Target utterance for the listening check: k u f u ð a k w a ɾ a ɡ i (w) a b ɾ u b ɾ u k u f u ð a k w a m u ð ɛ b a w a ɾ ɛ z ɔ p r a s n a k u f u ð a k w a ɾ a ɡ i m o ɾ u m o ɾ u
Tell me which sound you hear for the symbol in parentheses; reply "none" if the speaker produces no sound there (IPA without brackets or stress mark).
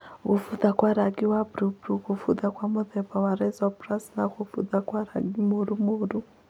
w